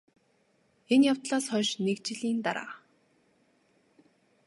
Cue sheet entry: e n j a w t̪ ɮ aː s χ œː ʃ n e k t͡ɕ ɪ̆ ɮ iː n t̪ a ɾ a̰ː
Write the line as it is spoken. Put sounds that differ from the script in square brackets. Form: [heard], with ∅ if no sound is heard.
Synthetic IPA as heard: e n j a w t̪ ɮ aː s χ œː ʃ n e k t͡ɕ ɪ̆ ɮ iː n t̪ a ɾ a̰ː